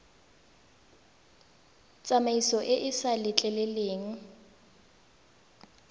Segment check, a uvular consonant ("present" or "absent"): absent